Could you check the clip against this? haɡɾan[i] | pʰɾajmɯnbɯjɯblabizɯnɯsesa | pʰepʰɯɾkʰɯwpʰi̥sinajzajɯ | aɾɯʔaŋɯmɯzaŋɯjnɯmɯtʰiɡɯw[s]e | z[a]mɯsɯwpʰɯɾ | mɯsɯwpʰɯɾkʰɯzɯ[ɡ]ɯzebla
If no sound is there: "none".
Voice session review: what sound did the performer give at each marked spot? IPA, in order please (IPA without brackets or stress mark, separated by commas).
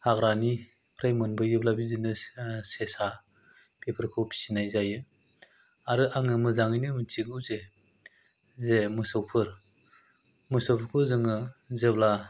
i, z, e, ŋ